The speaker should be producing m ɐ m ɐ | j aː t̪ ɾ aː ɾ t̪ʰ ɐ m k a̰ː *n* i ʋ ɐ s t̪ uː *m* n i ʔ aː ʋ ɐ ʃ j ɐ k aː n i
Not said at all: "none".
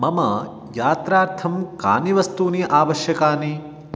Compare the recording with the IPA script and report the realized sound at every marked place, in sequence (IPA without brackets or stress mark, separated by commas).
n, none